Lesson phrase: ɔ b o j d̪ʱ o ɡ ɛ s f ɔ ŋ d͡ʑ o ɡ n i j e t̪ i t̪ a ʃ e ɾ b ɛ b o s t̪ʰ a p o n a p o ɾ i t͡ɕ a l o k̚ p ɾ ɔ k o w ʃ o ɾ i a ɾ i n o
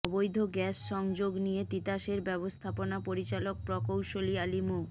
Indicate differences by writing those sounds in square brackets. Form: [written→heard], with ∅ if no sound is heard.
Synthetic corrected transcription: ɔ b o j d̪ʱ o ɡ ɛ s [f→ʃ] ɔ ŋ d͡ʑ o ɡ n i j e t̪ i t̪ a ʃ e ɾ b ɛ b o s t̪ʰ a p o n a p o ɾ i t͡ɕ a l o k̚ p ɾ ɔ k o w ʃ o [ɾ→l] i a [ɾ→l] i [n→m] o